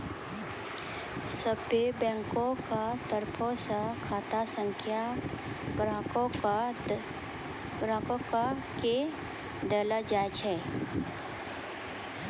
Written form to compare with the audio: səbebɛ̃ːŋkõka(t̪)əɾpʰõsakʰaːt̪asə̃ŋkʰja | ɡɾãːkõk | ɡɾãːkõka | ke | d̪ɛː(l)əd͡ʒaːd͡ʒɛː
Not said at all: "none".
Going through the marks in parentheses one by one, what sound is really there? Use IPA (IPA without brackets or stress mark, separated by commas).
t̪, l